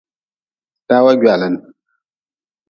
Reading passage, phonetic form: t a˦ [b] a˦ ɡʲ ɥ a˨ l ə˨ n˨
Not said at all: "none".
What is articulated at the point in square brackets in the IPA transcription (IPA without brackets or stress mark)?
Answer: w